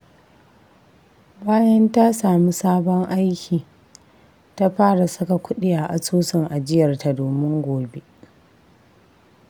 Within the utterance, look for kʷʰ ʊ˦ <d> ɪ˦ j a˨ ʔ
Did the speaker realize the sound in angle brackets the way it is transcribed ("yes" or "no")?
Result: no